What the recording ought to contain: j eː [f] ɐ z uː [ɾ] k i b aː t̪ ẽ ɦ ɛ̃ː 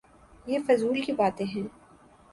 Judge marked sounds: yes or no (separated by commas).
yes, no